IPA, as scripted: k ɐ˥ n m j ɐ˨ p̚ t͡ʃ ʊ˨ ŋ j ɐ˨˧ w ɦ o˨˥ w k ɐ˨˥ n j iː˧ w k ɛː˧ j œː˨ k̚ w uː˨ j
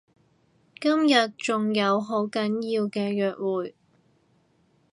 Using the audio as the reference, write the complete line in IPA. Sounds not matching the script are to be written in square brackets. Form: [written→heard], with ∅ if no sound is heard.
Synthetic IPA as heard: k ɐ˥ [n→∅] m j ɐ˨ [p̚→t̚] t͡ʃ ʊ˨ ŋ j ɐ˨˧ w ɦ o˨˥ w k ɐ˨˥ n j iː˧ w k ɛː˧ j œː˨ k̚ w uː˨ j